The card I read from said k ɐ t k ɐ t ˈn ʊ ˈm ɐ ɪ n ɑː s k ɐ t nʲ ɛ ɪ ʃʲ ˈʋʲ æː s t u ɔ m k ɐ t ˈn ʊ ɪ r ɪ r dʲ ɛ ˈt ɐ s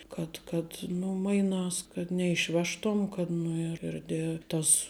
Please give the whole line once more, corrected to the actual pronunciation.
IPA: k ɐ t k ɐ t ˈn ʊ ˈm ɐ ɪ n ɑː s k ɐ t nʲ ɛ ɪ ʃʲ ˈʋʲ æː ʃ t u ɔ m k ɐ t ˈn ʊ ɪ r ɪ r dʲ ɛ ˈt ɐ s